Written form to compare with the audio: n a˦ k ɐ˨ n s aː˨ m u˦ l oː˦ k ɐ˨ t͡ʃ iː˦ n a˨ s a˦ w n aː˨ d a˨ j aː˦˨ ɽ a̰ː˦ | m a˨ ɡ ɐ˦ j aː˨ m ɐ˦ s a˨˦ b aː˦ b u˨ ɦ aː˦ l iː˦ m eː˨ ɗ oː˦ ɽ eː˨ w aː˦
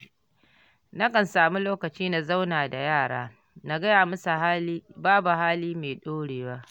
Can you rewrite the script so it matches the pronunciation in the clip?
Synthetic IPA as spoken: n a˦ k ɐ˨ n s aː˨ m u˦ l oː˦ k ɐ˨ t͡ʃ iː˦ n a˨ z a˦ w n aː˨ d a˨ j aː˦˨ ɽ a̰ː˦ | n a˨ ɡ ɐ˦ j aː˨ m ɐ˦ s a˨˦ b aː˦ b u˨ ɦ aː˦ l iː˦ m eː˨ ɗ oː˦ ɽ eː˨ w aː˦